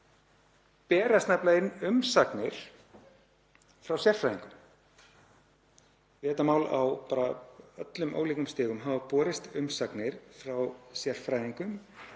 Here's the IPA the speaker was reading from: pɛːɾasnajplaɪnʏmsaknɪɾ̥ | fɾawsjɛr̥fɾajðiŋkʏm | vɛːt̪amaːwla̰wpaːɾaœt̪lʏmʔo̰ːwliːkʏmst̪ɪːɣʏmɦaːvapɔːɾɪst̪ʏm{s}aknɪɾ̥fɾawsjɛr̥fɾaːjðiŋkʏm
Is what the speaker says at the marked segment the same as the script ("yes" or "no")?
yes